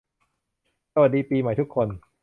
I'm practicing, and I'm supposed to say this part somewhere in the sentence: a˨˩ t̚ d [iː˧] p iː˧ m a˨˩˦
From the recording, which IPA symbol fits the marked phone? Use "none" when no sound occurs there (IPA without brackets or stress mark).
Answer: iː˧